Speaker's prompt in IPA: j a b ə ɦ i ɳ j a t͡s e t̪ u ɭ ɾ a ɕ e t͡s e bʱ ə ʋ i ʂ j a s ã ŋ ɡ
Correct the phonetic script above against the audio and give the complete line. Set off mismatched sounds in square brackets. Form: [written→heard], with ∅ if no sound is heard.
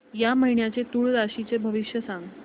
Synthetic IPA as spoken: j a [b→m] ə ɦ i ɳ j a t͡s e t̪ u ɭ ɾ a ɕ [e→i] t͡s e bʱ ə ʋ i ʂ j [a→ə] s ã ŋ ɡ